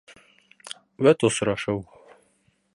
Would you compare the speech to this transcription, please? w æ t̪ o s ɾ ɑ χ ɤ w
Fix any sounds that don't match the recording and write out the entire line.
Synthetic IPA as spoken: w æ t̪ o s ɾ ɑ ʃ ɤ w